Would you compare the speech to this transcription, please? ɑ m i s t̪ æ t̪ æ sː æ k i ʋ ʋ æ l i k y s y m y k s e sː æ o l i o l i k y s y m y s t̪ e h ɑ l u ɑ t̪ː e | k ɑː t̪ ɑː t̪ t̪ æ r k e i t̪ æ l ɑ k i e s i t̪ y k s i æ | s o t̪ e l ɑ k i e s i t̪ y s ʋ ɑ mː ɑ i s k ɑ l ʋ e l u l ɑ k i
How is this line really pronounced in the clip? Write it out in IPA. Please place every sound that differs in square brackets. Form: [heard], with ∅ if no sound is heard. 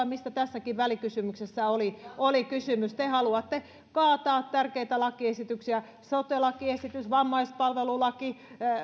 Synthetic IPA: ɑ m i s t̪ æ t̪ æ sː æ k i ʋ ʋ æ l i k y s y m y k s e sː æ o l i o l i k y s y m y s t̪ e h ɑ l u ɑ t̪ː e | k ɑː t̪ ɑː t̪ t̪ æ r k e i t̪ æ l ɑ k i e s i t̪ y k s i æ | s o t̪ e l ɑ k i e s i t̪ y s ʋ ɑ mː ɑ i s [p] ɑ l ʋ e l u l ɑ k i